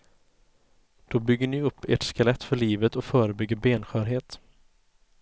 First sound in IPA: d̪̥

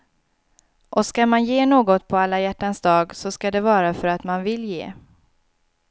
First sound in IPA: ʔ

